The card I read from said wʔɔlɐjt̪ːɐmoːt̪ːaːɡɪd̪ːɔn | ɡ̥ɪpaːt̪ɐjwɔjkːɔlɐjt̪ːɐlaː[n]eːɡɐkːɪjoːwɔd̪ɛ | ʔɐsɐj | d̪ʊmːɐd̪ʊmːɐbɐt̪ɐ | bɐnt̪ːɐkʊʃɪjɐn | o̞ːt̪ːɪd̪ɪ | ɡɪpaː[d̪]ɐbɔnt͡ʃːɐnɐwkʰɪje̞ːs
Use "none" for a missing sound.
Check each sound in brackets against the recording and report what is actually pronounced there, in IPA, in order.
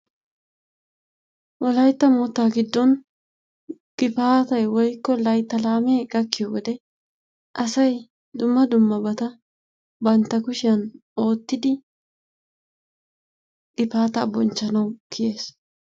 m, t̪

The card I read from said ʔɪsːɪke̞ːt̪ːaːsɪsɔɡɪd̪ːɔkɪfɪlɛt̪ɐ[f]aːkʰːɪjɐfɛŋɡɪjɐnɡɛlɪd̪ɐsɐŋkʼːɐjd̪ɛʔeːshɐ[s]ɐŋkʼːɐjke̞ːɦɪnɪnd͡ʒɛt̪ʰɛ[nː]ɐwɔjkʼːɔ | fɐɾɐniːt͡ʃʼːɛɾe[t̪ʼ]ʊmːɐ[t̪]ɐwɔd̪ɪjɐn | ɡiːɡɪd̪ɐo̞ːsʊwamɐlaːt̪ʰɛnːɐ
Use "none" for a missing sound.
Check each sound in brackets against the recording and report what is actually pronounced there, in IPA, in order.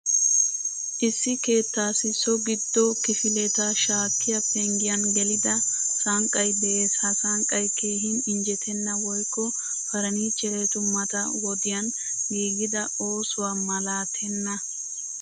ʃ, s, nː, t̪, t̪

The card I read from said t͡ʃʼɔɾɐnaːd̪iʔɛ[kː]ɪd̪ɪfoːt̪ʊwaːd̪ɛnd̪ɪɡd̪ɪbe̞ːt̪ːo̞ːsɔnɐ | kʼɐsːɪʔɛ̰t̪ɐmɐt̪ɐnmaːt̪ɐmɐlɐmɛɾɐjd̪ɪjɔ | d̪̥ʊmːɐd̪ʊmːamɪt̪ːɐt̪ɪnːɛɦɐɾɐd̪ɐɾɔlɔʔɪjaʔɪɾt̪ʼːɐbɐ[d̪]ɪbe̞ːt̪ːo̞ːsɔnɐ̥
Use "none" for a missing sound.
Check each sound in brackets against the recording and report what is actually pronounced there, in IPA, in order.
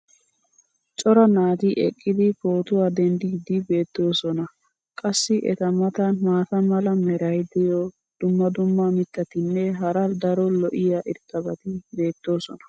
kʼː, t̪

